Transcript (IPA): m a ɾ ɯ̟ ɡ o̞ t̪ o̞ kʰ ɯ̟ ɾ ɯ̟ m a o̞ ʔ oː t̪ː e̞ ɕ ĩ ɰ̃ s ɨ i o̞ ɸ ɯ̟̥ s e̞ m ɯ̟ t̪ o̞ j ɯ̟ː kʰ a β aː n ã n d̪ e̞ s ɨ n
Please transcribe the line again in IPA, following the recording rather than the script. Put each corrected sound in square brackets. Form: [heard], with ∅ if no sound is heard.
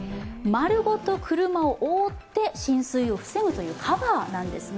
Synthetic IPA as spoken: m a ɾ ɯ̟ ɡ o̞ t̪ o̞ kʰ ɯ̟ ɾ ɯ̟ m a o̞ ʔ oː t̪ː e̞ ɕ ĩ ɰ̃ s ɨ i o̞ ɸ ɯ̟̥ s e̞ m ɯ̟ t̪ o̞ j ɯ̟ː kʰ a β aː n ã n d̪ e̞ s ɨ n